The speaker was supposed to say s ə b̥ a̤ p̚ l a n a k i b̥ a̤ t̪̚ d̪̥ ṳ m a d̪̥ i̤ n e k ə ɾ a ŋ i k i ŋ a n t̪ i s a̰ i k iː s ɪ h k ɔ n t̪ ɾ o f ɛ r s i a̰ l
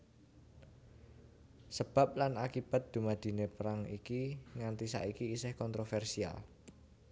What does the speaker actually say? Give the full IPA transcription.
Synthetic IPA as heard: s ə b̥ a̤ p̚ l a n a k i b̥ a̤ t̪̚ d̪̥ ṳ m a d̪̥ i̤ n e p ə ɾ a ŋ i k i ŋ a n t̪ i s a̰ i k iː s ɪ h k ɔ n t̪ ɾ o f ɛ r s i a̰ l